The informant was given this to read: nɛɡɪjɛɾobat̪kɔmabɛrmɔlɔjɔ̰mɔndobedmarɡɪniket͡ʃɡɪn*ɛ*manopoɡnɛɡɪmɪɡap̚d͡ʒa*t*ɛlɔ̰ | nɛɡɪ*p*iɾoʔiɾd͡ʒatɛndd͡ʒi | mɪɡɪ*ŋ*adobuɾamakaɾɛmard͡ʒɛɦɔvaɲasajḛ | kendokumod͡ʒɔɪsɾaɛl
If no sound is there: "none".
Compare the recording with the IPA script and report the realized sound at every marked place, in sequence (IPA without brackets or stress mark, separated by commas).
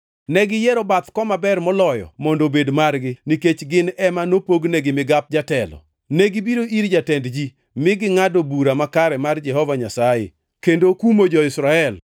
ɛ, t, b, ŋ